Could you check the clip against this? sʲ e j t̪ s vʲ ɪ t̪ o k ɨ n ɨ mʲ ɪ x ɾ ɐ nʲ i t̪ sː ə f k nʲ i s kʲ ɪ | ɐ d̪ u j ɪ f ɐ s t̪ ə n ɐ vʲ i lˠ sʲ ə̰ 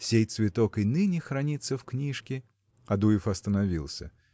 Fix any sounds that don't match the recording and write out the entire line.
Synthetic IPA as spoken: sʲ e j t̪ s vʲ ɪ t̪ o k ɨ n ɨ nʲ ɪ x ɾ ɐ nʲ i t̪ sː ə f k nʲ i ʂ kʲ ɪ | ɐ d̪ u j ɪ f ɐ s t̪ ə n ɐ vʲ i lˠ sʲ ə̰